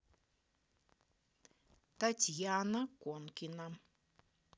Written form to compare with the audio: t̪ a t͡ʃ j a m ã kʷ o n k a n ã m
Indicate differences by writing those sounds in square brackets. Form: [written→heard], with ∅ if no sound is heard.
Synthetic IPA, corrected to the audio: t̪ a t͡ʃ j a [m→n] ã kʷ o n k [a→i] n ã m